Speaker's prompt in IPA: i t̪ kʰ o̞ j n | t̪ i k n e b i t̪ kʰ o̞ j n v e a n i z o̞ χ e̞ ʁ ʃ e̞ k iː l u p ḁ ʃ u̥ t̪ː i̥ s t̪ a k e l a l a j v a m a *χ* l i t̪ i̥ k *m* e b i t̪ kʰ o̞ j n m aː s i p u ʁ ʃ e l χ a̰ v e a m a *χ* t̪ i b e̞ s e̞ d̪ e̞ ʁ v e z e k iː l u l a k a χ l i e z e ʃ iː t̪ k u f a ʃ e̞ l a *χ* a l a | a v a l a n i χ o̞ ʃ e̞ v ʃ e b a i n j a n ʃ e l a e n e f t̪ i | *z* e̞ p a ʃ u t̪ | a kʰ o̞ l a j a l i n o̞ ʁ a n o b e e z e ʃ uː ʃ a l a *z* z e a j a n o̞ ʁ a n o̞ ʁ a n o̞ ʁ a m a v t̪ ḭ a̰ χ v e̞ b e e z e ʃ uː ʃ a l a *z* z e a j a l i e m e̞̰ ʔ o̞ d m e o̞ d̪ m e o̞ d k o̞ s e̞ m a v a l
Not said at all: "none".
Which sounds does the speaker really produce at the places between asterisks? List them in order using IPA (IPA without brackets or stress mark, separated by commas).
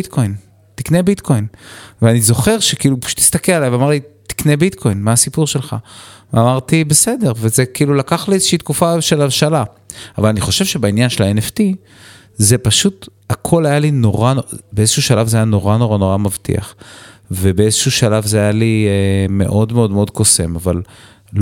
ʁ, n, ʁ, ʃ, z, v, v